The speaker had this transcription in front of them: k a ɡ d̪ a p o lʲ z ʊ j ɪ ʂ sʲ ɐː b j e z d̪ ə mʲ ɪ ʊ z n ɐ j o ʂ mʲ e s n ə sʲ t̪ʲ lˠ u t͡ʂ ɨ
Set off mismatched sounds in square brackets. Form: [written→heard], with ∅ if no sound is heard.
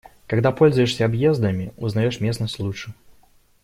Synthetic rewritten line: k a ɡ d̪ a p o lʲ z ʊ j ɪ ʂ sʲ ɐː b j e z d̪ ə mʲ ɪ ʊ z n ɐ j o ʂ mʲ e s n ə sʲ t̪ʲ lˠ u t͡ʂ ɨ